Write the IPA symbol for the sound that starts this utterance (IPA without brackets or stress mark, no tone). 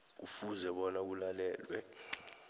u